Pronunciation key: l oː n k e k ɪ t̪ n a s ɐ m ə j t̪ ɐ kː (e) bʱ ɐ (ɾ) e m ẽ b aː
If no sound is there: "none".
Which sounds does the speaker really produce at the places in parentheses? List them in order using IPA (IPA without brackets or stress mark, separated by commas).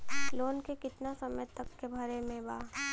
e, ɾ